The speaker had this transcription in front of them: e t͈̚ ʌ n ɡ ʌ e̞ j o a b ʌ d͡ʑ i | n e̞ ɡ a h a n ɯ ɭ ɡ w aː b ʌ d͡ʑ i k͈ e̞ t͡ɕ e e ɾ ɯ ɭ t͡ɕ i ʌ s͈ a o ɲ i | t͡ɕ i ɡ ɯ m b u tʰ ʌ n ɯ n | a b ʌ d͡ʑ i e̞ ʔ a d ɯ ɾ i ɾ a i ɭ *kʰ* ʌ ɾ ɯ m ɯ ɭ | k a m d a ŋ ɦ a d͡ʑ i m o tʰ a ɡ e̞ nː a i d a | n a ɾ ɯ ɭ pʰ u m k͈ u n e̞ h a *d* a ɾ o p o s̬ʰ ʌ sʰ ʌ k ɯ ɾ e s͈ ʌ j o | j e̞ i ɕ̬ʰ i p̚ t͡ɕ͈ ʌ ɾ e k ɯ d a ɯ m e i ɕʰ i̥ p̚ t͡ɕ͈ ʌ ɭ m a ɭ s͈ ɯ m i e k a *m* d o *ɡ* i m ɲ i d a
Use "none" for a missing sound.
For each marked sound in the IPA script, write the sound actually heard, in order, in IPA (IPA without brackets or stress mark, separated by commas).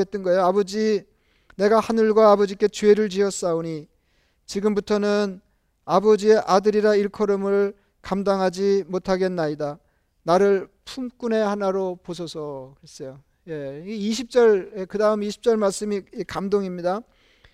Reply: kʰ, n, m, ŋ